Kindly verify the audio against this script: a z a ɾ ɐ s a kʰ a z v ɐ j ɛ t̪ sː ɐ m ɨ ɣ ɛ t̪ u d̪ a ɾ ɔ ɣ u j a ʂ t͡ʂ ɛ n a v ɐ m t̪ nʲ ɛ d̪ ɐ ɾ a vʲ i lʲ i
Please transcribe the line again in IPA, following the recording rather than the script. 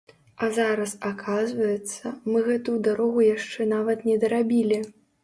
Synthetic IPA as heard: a z a ɾ ɐ s a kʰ a z v ɐ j ɛ t̪ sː ɐ m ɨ ɣ ɛ t̪ u d̪ a ɾ ɔ ɣ u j a ʂ t͡ʂ ɛ n a v ɐ t̪ nʲ ɛ d̪ ɐ ɾ a bʲ i lʲ i